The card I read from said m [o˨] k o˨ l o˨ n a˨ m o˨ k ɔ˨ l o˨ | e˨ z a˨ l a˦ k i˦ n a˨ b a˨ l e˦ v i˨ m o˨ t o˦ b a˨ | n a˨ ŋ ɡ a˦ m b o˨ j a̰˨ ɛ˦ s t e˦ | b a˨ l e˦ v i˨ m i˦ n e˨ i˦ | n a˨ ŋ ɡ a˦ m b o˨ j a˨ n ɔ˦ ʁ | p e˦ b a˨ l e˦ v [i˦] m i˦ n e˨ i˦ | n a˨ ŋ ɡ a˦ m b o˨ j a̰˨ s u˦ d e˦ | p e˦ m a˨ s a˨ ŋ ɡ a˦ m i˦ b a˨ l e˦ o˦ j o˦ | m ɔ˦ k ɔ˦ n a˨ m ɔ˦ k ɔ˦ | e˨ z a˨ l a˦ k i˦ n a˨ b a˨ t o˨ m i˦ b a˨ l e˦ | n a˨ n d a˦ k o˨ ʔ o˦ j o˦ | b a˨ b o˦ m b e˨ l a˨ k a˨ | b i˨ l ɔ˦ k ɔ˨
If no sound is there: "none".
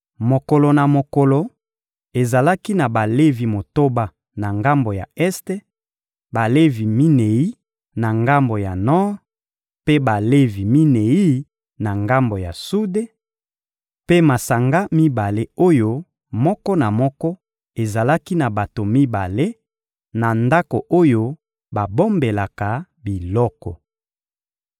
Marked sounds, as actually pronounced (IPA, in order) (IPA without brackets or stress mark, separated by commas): o˨, i˨